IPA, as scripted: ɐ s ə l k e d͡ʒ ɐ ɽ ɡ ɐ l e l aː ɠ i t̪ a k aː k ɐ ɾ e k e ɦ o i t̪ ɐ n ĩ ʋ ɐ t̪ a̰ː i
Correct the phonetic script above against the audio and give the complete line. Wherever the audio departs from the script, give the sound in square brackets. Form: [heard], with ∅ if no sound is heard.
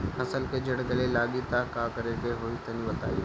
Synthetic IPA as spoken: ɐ s ə l k e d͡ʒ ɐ ɽ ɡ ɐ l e l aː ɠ i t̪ a k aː k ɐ ɾ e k e ɦ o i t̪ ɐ n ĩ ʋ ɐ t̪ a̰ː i